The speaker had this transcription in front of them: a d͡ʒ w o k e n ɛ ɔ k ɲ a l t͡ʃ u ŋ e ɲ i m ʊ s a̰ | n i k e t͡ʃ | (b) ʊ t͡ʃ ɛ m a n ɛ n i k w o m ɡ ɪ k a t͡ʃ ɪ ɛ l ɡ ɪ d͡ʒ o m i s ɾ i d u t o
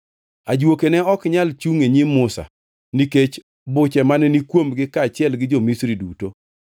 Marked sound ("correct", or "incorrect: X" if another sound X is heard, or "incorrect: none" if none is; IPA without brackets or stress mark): correct